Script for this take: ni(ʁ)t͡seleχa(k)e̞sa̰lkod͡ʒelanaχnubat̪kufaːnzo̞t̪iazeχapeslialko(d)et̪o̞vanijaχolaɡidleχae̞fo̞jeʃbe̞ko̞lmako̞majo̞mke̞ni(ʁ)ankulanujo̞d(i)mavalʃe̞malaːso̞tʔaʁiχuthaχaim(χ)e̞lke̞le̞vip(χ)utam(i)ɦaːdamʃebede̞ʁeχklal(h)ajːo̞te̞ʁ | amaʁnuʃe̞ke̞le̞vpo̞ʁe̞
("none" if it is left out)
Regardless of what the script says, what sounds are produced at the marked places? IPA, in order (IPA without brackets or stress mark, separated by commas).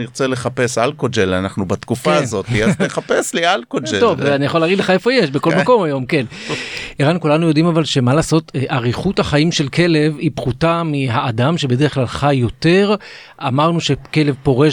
ʁ, p, d͡ʒ, ʁ, i, ʃ, χ, i, χ